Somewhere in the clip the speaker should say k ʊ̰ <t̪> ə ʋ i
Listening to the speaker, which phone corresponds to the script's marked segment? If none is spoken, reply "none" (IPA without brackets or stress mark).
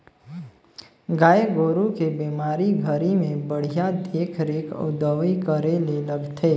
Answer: d̪